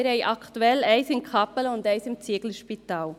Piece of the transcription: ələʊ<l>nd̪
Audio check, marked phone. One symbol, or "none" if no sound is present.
none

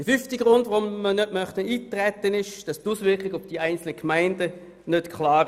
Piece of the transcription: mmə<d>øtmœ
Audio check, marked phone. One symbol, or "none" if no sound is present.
n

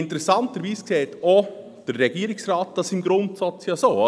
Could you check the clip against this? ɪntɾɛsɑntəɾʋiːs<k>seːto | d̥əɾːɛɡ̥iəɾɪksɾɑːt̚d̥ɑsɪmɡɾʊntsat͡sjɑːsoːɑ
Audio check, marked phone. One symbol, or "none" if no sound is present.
k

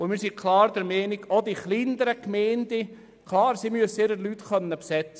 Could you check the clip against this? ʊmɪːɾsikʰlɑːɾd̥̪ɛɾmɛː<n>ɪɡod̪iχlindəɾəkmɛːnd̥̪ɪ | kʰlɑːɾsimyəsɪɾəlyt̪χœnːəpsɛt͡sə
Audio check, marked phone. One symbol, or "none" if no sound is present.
n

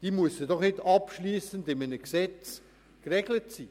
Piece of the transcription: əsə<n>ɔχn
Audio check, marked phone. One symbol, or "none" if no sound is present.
d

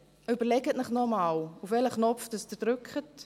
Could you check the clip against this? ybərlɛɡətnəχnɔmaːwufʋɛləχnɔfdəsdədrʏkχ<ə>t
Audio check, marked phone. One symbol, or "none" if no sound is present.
ə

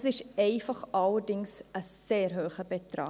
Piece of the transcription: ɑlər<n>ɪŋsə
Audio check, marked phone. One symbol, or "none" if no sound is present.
d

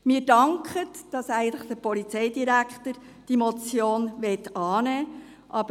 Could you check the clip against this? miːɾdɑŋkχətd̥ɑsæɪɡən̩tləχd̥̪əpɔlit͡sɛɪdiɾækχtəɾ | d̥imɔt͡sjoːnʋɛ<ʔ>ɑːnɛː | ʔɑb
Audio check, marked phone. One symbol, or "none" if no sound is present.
t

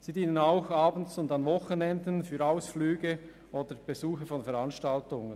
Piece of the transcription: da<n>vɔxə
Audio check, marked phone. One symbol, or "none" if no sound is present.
n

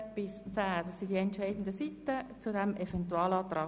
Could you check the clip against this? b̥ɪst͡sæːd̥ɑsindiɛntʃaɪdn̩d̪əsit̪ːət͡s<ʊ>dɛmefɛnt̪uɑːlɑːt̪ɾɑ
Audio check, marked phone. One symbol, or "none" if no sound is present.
u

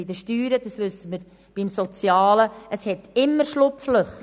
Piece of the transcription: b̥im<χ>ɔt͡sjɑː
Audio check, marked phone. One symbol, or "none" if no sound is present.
s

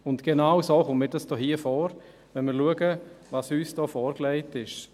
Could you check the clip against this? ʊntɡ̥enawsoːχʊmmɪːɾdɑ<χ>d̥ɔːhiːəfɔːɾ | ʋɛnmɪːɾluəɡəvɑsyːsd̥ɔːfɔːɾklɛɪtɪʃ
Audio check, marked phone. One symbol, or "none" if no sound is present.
s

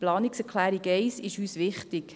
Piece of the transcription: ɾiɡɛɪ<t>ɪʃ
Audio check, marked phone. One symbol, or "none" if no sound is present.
s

